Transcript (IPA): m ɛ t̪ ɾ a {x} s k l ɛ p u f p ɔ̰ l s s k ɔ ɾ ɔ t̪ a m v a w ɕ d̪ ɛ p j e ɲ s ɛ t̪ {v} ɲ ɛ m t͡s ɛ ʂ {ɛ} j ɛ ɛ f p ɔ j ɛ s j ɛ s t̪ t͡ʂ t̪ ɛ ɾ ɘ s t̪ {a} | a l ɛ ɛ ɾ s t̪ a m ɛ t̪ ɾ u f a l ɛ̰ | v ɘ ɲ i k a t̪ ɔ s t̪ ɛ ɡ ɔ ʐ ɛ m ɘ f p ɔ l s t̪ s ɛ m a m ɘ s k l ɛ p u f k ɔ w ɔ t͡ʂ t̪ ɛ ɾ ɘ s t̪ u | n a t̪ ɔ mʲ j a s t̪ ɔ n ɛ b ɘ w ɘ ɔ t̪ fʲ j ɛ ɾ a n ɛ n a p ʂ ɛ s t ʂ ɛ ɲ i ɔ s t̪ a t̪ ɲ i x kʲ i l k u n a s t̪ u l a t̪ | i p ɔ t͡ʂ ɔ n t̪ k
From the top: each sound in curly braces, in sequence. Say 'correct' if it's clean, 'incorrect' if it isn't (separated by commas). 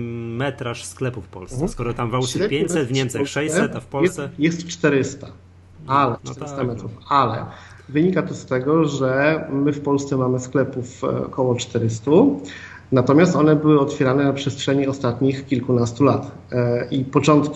incorrect, correct, correct, correct